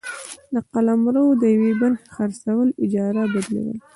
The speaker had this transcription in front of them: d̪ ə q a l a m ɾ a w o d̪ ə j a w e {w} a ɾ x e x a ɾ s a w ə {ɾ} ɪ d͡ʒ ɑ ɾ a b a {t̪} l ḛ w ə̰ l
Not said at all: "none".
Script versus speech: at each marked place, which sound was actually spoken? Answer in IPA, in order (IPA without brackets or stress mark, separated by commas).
b, l, d̪